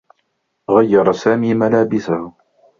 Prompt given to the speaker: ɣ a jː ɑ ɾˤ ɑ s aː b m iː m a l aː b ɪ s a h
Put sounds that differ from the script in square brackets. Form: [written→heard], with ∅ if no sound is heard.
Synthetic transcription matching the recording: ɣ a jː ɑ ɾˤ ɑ s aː [b→∅] m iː m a l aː b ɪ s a h